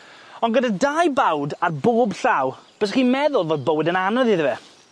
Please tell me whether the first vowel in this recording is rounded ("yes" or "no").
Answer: yes